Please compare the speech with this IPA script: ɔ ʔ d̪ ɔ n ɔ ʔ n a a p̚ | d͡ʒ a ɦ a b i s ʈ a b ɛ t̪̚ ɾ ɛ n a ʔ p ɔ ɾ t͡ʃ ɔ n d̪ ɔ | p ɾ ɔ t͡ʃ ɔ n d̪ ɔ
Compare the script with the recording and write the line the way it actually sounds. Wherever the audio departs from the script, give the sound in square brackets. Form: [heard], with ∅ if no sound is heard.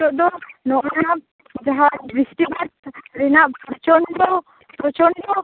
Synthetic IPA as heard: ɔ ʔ d̪ ɔ n ɔ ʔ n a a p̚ | d͡ʒ a ɦ a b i s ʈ [i] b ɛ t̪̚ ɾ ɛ n a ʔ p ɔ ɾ t͡ʃ ɔ n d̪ ɔ | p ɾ ɔ t͡ʃ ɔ n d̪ ɔ